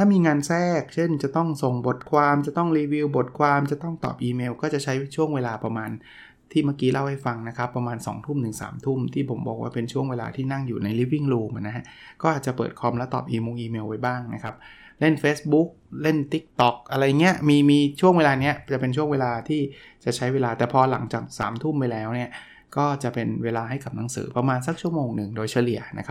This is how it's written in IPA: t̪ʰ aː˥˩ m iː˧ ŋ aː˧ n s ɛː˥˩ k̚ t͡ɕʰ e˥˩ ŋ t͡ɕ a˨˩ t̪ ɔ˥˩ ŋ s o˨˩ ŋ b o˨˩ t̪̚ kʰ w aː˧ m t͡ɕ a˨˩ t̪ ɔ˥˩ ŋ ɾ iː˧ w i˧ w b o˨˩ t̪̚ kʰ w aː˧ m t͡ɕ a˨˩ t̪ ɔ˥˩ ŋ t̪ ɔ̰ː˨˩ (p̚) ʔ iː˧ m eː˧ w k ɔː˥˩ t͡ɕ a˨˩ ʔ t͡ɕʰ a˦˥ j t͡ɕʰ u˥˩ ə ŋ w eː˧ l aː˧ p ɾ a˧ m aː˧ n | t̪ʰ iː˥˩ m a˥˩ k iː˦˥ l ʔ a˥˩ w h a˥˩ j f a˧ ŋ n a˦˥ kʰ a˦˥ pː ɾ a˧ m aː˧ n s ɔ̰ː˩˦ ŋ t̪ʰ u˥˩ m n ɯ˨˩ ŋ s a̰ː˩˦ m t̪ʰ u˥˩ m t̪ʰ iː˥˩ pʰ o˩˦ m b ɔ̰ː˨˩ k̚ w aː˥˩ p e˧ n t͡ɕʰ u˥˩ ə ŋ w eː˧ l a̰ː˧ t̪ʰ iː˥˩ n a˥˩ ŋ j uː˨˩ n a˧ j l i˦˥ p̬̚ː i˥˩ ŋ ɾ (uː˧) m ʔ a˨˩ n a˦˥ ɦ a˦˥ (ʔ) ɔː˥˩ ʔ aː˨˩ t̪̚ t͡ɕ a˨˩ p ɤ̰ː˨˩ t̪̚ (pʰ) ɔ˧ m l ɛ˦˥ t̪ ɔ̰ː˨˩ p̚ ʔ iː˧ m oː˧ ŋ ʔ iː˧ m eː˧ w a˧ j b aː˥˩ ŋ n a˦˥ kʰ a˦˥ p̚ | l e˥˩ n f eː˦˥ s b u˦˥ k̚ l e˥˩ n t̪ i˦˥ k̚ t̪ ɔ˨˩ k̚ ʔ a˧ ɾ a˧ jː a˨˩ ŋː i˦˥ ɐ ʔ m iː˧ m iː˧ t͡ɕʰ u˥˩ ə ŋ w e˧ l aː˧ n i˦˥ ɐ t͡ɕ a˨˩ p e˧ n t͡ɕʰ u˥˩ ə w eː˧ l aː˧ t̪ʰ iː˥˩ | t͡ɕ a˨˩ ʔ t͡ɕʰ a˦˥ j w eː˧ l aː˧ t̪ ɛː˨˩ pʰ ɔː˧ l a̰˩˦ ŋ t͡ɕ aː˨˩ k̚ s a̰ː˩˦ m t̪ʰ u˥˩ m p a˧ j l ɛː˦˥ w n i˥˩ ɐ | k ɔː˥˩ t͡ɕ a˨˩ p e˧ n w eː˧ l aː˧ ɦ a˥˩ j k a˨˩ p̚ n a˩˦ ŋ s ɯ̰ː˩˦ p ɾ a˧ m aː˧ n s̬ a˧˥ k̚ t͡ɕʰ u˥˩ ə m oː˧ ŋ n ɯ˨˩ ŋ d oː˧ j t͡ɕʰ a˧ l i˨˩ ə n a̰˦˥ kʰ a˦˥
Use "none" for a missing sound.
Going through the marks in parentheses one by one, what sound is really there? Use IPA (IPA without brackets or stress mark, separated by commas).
p̚, uː˧, k, kʰ